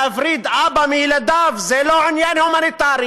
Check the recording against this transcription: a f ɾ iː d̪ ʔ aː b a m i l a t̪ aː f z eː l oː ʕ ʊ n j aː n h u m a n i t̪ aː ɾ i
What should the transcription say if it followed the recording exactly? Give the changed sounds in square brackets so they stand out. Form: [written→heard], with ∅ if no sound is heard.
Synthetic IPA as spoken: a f ɾ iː d̪ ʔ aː b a m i l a [t̪→d̪] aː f z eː l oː ʕ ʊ n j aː n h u m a n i t̪ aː ɾ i